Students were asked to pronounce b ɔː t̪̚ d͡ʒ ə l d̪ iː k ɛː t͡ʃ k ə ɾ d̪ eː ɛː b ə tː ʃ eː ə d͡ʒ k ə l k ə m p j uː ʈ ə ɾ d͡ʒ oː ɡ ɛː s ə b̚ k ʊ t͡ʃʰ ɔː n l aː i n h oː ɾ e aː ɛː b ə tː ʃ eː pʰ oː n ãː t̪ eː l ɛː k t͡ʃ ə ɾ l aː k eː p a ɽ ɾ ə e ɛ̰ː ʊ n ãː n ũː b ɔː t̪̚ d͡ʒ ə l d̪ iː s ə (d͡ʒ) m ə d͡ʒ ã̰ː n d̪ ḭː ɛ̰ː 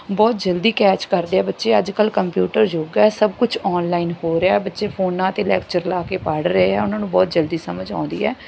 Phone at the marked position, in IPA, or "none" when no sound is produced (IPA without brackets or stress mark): none